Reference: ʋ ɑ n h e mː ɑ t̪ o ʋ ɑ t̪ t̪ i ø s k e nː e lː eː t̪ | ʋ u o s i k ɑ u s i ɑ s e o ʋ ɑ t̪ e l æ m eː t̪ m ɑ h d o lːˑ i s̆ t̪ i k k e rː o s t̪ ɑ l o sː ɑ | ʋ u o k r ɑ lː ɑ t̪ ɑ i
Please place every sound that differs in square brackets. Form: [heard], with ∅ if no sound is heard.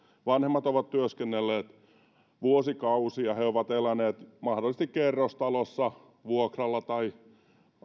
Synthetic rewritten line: ʋ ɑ n h e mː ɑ t̪ o ʋ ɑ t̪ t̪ [y] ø s k e nː e lː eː t̪ | ʋ u o s i k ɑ u s i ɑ [h] e o ʋ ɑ t̪ e l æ [n] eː t̪ m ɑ h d o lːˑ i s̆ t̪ i k k e rː o s t̪ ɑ l o sː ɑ | ʋ u o k r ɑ lː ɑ t̪ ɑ i